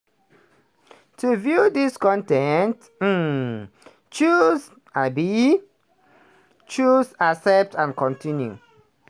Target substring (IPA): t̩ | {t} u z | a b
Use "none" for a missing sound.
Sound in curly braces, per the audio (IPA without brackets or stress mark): t͡ʃ